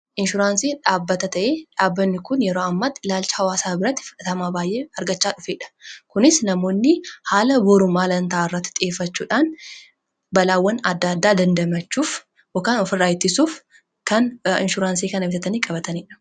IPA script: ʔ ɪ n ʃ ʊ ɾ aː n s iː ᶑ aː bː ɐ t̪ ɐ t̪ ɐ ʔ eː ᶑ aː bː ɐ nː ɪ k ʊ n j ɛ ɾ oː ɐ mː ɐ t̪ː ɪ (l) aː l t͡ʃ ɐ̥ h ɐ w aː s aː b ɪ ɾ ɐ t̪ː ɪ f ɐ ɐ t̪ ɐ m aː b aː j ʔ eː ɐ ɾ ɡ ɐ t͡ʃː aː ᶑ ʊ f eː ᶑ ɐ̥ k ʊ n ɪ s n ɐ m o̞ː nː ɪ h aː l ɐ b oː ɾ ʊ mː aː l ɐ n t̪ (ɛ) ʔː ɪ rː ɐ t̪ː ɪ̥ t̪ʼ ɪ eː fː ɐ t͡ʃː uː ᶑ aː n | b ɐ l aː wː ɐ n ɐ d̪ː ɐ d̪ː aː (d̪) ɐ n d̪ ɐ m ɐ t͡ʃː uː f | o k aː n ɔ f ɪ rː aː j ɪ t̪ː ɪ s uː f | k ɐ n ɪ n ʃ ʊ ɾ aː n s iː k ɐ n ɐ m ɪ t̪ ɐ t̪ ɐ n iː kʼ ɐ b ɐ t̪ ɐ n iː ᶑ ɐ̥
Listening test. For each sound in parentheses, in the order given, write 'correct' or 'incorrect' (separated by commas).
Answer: correct, incorrect, correct